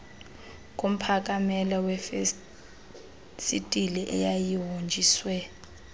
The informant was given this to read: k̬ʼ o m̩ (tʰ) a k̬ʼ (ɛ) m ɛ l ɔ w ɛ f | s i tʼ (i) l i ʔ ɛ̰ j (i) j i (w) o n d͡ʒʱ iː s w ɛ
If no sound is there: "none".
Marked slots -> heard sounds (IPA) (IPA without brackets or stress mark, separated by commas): pʰ, a, i, a, w